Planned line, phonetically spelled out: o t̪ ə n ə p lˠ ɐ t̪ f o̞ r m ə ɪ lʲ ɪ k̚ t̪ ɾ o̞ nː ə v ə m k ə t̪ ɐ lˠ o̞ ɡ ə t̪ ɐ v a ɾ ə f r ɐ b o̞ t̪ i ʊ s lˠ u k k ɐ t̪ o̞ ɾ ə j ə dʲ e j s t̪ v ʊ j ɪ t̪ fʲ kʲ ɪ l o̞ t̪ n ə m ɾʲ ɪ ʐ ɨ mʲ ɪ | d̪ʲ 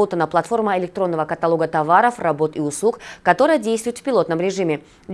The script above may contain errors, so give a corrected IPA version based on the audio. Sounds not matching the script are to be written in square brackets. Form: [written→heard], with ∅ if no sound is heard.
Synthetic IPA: o t̪ ə n ə p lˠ ɐ t̪ f o̞ r m ə ɪ lʲ ɪ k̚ t̪ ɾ o̞ nː ə v ə [m→∅] k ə t̪ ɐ lˠ o̞ ɡ ə t̪ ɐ v a ɾ ə f r ɐ b o̞ t̪ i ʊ s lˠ u k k ɐ t̪ o̞ ɾ ə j ə dʲ e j s t̪ v ʊ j ɪ t̪ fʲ [kʲ→pʲ] ɪ l o̞ t̪ n ə m ɾʲ ɪ ʐ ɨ mʲ ɪ | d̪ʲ